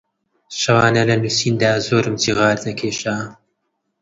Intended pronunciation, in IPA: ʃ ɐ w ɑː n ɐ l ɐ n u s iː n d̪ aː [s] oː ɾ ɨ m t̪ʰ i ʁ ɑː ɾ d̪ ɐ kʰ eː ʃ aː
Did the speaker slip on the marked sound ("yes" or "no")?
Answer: yes